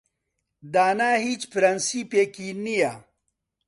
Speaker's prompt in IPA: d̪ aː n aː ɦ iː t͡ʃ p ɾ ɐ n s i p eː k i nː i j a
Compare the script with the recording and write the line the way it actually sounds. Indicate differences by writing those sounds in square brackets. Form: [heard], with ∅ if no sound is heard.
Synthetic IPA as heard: d̪ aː n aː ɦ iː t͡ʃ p ɾ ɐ n s i p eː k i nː i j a